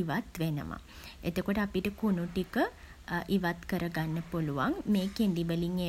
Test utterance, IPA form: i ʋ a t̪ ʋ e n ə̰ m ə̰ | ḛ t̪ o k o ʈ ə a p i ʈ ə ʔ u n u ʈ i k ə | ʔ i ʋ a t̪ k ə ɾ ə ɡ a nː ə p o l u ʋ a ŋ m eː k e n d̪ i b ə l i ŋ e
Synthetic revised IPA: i ʋ a t̪ ʋ e n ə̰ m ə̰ | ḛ t̪ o k o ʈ ə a p i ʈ ə k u n u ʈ i k ə | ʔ i ʋ a t̪ k ə ɾ ə ɡ a nː ə p o l u ʋ a ŋ m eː k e n d̪ i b ə l i ŋ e